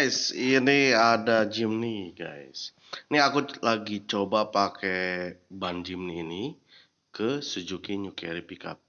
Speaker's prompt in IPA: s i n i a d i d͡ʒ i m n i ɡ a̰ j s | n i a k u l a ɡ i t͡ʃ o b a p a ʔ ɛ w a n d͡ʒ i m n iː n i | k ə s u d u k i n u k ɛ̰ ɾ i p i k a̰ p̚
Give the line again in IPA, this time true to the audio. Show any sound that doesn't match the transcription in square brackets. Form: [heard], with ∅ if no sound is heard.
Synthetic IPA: s i n i a d [a] d͡ʒ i m n i ɡ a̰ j s | n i a k u l a ɡ i t͡ʃ o b a p a [k] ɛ [b] a n d͡ʒ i m n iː n i | k ə s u [d͡ʒ] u k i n u k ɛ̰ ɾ i p i k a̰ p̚